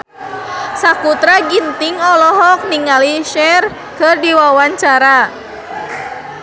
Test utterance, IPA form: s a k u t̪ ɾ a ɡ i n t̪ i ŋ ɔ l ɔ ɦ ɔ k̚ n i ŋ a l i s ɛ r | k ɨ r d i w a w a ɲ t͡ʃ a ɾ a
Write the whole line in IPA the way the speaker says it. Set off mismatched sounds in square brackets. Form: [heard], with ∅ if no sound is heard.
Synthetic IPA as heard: s a k u t̪ ɾ a ɡ i n t̪ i ŋ ɔ l ɔ ɦ ɔ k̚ n i ŋ a l i [ʃ] ɛ r | k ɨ r d i w a w a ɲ t͡ʃ a ɾ a